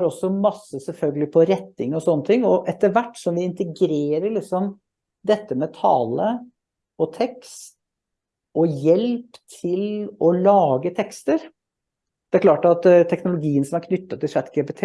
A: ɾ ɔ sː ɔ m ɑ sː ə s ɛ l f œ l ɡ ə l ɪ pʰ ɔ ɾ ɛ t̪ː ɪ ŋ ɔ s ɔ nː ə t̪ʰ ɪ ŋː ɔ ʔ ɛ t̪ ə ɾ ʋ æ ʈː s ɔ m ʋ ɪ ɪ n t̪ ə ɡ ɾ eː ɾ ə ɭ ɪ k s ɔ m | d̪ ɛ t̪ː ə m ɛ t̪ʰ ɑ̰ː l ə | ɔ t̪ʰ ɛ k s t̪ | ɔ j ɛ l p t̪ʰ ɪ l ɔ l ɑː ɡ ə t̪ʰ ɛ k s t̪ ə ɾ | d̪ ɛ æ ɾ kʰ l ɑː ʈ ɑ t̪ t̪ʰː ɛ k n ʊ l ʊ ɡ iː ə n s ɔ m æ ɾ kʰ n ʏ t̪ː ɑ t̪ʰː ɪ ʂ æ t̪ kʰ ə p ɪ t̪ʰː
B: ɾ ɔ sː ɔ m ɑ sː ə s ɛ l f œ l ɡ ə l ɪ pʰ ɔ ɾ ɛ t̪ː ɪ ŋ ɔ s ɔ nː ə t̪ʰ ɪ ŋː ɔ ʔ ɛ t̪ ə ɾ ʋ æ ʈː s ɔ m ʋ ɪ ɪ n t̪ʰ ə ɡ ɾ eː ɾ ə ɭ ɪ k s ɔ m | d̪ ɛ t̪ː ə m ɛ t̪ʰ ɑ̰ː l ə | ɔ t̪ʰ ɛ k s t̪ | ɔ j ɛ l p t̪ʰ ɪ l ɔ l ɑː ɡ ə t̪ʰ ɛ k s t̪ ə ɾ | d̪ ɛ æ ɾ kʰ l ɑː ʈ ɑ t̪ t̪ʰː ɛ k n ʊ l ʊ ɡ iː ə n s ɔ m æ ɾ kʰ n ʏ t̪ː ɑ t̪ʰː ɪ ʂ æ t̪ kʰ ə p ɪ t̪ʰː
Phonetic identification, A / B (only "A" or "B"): A